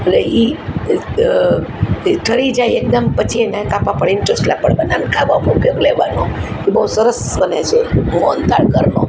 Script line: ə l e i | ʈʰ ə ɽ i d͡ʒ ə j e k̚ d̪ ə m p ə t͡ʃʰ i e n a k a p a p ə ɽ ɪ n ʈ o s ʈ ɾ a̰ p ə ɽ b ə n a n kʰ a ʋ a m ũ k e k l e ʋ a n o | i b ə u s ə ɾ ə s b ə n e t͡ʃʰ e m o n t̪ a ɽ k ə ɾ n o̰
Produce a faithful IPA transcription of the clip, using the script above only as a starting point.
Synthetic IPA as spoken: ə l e i | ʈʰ ə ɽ i d͡ʒ a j e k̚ d̪ ə m p ə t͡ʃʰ i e n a k a p a p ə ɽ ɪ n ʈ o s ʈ l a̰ p ə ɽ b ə n a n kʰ a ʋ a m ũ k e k l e ʋ a n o | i b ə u s ə ɾ ə s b ə n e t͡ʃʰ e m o n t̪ a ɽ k ə ɾ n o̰